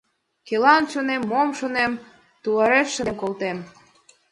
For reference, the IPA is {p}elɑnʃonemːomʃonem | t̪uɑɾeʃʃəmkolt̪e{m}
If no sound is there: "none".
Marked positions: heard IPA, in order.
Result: k, m

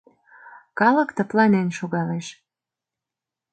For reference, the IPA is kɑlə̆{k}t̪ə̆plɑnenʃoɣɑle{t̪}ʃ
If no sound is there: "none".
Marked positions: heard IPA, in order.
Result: k, none

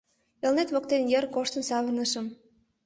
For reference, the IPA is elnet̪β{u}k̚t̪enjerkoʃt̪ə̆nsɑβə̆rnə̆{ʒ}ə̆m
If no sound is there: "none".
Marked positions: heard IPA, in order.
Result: o, ʃ

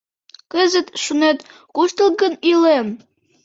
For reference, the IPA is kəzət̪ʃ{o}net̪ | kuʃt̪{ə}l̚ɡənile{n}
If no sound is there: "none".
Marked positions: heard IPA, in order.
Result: u, ə, m

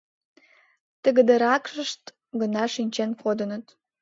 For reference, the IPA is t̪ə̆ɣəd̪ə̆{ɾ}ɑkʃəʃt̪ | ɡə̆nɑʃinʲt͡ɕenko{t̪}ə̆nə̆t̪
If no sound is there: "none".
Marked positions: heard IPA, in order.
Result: ɾ, d̪

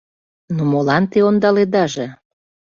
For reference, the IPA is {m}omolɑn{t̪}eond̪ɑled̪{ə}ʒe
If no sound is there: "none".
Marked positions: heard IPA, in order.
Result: n, t̪, ɑ

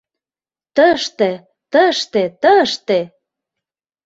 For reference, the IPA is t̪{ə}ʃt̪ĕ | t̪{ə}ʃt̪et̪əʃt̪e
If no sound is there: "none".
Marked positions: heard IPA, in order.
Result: ə, ə

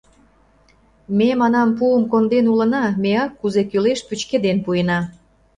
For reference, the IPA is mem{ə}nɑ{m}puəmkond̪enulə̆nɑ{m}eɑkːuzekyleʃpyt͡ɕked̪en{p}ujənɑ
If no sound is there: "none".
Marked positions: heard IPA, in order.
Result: ɑ, m, m, p

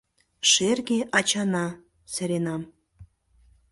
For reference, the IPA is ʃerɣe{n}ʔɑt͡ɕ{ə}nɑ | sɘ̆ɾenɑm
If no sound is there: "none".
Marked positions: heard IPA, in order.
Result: none, ɑ

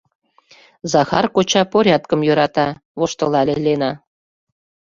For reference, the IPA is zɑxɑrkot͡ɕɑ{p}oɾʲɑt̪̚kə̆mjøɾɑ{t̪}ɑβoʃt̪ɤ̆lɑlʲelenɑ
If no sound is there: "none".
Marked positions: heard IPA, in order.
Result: p, t̪

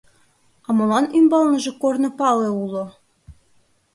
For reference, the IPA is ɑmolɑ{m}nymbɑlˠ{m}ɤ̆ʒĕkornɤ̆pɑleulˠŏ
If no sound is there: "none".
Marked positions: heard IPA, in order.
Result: none, n

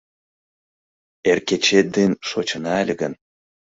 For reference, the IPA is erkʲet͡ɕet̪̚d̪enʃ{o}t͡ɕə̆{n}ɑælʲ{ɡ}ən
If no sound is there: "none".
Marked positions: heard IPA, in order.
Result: o, n, ɡ

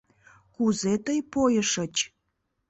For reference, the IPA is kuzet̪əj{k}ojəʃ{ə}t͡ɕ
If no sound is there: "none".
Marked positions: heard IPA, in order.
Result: p, ə

